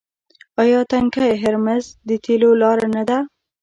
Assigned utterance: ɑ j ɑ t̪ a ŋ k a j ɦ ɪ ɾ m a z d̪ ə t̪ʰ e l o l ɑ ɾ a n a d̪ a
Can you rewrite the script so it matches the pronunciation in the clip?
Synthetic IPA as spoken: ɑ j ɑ t̪ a ŋ k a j ɦ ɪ ɾ m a z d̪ ə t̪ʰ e l o l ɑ ɾ a n a d̪ a

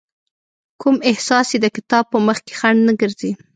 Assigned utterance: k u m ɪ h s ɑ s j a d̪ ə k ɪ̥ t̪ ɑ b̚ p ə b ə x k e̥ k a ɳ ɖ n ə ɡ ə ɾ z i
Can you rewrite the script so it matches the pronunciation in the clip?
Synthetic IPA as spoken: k u m ɪ h s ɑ s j e d̪ ə k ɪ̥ t̪ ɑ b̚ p ə m ə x k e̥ x a ɳ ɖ n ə ɡ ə ɾ z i

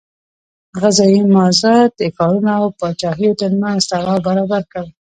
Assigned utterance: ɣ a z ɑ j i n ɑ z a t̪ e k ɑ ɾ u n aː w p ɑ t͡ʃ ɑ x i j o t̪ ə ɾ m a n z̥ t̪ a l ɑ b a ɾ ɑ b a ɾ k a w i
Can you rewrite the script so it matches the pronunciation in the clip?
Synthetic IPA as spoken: ɣ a z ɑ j i m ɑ z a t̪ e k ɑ ɾ u n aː w p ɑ t͡ʃ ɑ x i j o t̪ ə ɾ m a n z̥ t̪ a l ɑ b a ɾ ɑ b a ɾ k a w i

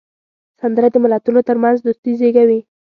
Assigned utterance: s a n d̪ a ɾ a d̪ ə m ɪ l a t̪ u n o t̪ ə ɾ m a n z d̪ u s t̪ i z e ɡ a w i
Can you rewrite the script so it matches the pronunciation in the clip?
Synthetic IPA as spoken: s a n d̪ ə ɾ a d̪ ə m ɪ l a t̪ u n o t̪ ə ɾ m a n z d̪ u s t̪ i z e ɡ a w i

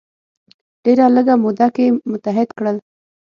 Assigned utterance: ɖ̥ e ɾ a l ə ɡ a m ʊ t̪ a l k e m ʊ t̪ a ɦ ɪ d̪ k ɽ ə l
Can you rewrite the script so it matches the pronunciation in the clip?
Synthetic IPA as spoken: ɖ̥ e ɾ a l ə ɡ a m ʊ d̪ a k e m ʊ t̪ a ɦ ɪ d̪ k ɽ ə l

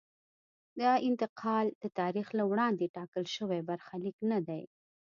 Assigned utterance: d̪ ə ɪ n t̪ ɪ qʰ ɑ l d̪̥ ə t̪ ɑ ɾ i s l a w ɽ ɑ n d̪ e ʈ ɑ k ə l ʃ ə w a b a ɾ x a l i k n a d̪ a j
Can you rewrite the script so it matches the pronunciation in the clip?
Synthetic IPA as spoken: d̪ ɑ ɪ n t̪ ɪ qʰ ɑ l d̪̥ ə t̪ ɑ ɾ i x l a w ɽ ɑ n d̪ e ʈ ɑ k ə l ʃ ə w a b a ɾ x a l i k n a d̪ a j

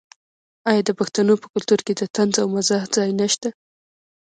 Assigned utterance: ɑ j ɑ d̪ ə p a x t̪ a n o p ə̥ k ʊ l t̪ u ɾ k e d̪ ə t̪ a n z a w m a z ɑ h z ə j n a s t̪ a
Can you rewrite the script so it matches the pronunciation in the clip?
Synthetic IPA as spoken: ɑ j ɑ d̪ ə p a x t̪ a n o p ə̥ k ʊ l t̪ u ɾ k e d̪ ə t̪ a n z a w m a z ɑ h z ɑ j n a ʃ t̪ a

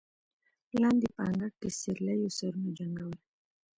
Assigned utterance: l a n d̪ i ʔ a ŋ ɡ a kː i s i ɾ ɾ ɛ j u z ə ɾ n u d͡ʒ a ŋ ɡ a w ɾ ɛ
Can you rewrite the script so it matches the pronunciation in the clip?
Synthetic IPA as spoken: l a n d̪ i p a ŋ ɡ a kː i s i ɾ l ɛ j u s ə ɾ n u d͡ʒ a ŋ ɡ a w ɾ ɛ

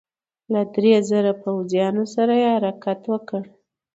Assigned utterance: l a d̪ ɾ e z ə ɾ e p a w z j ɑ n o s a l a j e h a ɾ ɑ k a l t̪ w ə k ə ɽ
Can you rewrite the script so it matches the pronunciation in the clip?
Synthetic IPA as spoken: l a d̪ ɾ e z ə ɾ a p a w z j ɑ n o s a ɾ a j e h a ɾ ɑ k a t̪ w ə k ə ɽ

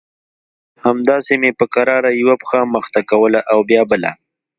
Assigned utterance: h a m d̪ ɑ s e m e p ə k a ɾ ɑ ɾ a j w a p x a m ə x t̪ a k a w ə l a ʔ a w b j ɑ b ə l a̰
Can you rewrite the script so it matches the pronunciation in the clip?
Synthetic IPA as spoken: h a m d̪ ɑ s e m e p ə k a ɾ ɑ ɾ a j w a p x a m ə x t̪ a k a w ə l a ʔ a w b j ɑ b ə l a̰

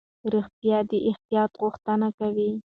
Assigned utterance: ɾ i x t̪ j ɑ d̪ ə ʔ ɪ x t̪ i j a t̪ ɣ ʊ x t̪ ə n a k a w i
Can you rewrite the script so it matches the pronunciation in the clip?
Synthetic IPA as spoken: ɾ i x t̪ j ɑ d̪ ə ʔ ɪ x t̪ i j ɑ t̪ ɣ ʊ x t̪ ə n a k a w i

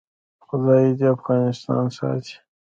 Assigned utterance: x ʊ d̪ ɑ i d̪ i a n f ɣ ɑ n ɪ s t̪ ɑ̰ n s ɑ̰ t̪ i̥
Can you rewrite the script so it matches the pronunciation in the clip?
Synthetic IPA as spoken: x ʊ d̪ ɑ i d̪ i a f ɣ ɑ n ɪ s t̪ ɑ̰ n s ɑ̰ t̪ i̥

